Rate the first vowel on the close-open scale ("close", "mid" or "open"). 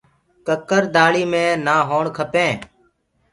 mid